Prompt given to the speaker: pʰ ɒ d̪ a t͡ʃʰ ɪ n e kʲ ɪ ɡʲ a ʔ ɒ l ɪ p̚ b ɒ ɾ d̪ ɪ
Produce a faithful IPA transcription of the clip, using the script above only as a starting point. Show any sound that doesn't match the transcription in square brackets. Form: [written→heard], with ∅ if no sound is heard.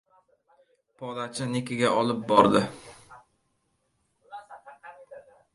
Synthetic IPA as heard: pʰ ɒ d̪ a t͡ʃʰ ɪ n e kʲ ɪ ɡʲ a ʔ ɒ l ɪ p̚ b ɒ ɾ d̪ ɪ

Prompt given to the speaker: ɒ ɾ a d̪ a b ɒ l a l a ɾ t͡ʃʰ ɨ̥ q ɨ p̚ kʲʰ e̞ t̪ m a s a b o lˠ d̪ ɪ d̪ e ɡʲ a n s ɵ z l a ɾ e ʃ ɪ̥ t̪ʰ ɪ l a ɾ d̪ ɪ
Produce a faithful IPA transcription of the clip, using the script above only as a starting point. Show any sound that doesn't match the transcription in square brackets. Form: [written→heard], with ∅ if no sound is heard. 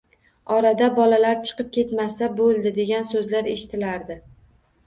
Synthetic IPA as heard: ɒ ɾ a d̪ a b ɒ l a l a ɾ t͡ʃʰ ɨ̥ q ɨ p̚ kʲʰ e̞ t̪ m a s a b o lˠ d̪ ɪ d̪ e ɡʲ a n s ɵ z l a ɾ e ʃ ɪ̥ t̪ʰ ɪ l a ɾ d̪ ɪ

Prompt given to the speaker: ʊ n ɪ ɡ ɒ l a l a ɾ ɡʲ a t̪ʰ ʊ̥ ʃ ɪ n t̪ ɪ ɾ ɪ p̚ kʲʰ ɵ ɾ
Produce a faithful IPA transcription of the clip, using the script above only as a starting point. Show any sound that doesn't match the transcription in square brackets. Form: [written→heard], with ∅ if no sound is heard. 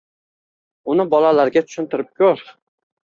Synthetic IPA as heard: ʊ n ɪ [ɡ→b] ɒ l a l a ɾ ɡʲ a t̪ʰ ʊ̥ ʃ ɪ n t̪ ɪ ɾ ɪ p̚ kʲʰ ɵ ɾ

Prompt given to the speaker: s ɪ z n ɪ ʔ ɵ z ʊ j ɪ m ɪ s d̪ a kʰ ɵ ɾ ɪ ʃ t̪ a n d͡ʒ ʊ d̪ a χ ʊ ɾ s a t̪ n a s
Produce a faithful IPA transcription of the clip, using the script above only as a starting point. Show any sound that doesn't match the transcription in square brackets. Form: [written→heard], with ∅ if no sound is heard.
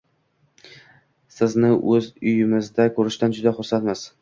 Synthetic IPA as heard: s ɪ z n ɪ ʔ ɵ z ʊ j ɪ m ɪ [s→z] d̪ a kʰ ɵ ɾ ɪ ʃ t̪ a n d͡ʒ ʊ d̪ a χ ʊ ɾ s a t̪ [n→m] a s

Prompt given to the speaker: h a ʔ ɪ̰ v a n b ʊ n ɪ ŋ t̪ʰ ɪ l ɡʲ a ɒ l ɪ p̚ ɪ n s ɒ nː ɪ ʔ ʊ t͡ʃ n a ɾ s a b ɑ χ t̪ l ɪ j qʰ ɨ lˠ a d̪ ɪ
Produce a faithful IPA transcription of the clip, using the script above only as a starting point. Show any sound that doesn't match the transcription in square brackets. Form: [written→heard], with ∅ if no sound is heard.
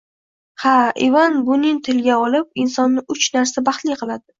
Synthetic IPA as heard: h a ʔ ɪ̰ v a n b ʊ n ɪ ŋ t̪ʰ ɪ l ɡʲ a ɒ l ɪ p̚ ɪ n s ɒ nː ɪ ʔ ʊ t͡ʃ n a ɾ s a b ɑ χ t̪ l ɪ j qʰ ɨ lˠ a d̪ ɪ

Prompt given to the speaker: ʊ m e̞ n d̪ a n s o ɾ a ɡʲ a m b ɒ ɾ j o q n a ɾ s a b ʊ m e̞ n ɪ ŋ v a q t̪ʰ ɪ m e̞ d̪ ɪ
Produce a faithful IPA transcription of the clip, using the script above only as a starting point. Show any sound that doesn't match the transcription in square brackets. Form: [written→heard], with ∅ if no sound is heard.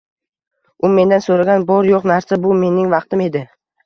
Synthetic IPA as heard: ʊ m e̞ n d̪ a n s o ɾ a ɡʲ a [m→n] b ɒ ɾ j o q n a ɾ s a b ʊ m e̞ n ɪ ŋ v [a→ɑ] q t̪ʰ ɪ m e̞ d̪ ɪ

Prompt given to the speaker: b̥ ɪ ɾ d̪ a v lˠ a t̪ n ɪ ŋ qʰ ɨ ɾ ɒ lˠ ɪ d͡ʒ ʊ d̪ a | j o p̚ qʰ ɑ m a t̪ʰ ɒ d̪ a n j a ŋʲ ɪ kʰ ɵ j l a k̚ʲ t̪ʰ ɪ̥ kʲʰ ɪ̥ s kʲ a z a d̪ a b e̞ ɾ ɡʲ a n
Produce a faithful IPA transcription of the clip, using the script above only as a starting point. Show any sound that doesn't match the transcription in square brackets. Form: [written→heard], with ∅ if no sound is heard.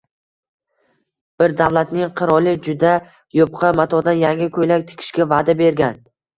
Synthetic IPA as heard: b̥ ɪ ɾ d̪ a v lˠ a t̪ n ɪ ŋ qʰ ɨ ɾ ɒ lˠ ɪ d͡ʒ ʊ d̪ a | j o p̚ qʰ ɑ m a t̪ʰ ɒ d̪ a n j a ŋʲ ɪ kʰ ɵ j l a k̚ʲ t̪ʰ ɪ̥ kʲʰ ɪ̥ [s→ʃ] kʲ a [z→v] a d̪ a b e̞ ɾ ɡʲ a n

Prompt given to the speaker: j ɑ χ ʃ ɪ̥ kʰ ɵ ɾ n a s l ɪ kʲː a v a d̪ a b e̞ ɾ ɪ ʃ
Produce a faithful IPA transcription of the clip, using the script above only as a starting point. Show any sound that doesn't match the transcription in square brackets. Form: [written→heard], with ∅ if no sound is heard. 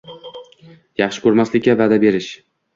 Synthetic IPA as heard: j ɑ χ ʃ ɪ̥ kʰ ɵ ɾ [n→m] a s l ɪ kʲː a v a d̪ a b e̞ ɾ ɪ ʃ

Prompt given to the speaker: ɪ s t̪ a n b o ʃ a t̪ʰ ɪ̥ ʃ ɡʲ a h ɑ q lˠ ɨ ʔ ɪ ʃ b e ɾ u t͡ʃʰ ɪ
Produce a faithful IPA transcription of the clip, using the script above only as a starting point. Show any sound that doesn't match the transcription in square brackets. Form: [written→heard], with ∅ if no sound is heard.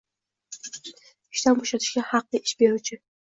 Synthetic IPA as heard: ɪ [s→ʃ] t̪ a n b o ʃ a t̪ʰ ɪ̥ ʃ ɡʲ a h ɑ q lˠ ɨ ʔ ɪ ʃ b e ɾ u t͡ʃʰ ɪ

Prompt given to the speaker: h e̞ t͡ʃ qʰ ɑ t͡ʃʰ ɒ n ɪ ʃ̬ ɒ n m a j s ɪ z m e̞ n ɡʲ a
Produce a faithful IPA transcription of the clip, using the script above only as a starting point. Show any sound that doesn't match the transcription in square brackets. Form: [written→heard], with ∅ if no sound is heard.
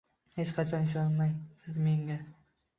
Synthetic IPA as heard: h e̞ t͡ʃ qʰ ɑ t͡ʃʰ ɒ n ɪ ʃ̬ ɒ n m a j s ɪ z m e̞ [n→ŋ] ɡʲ a

